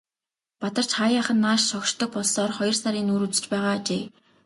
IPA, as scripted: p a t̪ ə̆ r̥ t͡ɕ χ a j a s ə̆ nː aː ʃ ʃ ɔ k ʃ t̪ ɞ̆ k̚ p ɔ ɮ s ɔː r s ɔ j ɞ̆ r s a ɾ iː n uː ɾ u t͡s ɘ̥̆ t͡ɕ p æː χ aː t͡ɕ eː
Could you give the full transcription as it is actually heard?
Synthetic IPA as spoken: p a t̪ ə̆ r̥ t͡ɕ χ a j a χ ə̆ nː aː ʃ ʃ ɔ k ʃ t̪ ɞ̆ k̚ p ɔ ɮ s ɔː r χ ɔ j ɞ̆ r s a ɾ iː n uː ɾ u t͡s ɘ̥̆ t͡ɕ p æː ʁ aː t͡ɕ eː